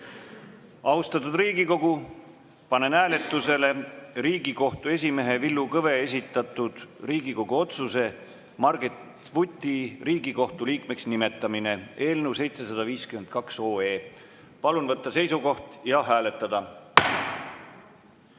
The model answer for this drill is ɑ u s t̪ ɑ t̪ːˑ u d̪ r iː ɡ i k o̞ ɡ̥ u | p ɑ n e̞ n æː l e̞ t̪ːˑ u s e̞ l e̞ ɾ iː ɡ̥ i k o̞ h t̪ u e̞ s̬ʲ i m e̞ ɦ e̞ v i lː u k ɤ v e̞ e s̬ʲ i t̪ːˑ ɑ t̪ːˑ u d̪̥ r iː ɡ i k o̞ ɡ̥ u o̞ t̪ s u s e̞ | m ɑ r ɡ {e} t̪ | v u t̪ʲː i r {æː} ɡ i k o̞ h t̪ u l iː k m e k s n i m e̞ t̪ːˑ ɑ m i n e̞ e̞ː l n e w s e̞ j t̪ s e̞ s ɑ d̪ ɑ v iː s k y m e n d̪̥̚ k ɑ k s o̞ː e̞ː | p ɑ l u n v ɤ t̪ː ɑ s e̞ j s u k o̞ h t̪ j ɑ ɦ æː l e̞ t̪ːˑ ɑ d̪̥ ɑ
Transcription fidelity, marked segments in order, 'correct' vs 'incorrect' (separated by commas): correct, incorrect